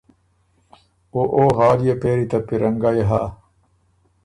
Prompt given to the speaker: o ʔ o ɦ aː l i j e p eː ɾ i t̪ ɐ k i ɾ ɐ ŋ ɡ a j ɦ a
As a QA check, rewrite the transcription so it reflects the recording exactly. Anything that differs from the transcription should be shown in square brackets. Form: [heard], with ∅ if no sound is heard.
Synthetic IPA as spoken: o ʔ o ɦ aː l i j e p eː ɾ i t̪ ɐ [p] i ɾ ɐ ŋ ɡ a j ɦ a